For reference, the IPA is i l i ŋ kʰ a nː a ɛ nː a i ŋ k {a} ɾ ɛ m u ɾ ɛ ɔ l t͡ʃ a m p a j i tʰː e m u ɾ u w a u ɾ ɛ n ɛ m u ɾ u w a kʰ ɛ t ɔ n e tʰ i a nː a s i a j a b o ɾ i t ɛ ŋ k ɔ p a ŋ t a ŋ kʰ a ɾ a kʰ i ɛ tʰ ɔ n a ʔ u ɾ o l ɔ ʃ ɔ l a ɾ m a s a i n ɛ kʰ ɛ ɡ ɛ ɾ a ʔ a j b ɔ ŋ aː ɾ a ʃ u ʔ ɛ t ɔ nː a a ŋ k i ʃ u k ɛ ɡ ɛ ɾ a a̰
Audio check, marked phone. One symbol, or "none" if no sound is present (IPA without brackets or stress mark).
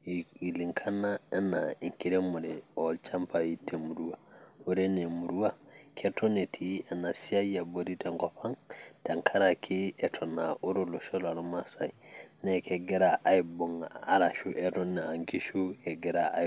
i